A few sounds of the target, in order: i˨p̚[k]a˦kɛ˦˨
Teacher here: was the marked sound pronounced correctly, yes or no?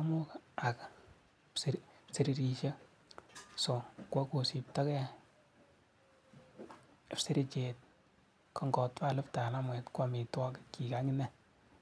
no